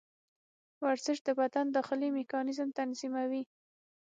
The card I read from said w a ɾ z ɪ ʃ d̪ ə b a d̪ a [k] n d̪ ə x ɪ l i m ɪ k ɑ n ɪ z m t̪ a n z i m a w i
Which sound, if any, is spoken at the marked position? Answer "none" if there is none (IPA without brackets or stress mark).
none